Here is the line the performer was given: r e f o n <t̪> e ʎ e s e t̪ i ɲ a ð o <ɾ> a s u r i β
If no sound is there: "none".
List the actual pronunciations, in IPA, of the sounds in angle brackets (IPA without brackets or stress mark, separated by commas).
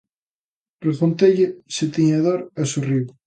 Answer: t̪, ɾ